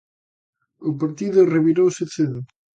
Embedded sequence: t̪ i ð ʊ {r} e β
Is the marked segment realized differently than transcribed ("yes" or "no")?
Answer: no